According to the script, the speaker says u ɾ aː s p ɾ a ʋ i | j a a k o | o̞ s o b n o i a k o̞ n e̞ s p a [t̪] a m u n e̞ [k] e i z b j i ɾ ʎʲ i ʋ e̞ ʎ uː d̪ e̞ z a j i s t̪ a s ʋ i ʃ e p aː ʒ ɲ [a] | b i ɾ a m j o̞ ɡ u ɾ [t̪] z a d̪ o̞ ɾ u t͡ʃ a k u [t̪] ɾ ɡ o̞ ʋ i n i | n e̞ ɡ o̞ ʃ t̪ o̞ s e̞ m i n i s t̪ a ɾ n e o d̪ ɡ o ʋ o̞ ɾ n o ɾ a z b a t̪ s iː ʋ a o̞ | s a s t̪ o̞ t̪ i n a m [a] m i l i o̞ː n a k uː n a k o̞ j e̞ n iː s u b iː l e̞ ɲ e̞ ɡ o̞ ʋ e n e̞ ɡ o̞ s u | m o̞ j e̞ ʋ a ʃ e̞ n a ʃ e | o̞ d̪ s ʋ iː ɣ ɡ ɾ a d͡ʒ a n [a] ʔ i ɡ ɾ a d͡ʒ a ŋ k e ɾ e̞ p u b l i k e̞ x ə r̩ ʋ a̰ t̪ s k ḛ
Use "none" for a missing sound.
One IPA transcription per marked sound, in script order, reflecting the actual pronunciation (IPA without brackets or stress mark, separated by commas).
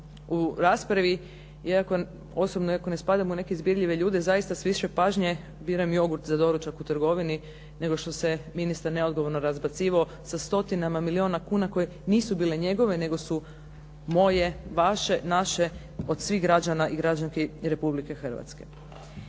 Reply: d̪, k, e, t̪, t̪, a, a